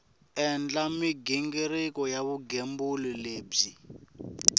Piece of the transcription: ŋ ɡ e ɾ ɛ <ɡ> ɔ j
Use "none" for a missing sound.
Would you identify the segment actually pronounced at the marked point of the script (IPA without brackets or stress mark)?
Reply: k